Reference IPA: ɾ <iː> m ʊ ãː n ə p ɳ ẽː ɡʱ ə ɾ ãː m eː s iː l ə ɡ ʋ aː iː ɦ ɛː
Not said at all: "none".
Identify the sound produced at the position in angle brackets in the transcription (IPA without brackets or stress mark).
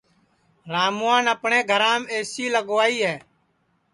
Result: aː